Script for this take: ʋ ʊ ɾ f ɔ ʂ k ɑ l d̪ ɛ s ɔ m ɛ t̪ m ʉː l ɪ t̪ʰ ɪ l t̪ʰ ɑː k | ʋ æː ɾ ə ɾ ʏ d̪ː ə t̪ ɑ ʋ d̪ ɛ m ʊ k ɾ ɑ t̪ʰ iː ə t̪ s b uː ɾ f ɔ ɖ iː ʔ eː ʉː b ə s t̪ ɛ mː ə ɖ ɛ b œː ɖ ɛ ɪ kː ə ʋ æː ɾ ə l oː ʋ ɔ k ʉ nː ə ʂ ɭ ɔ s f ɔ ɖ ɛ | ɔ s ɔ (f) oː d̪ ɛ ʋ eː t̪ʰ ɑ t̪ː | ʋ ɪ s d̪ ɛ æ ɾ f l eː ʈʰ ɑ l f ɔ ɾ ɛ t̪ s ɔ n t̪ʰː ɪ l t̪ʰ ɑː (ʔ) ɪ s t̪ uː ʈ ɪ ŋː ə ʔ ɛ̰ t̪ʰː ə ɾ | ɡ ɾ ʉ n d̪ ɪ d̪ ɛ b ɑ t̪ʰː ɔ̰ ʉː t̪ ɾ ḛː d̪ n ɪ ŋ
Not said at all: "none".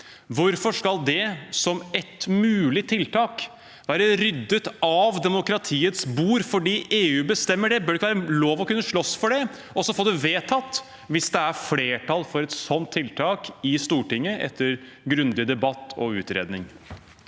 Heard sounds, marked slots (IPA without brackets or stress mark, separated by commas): f, k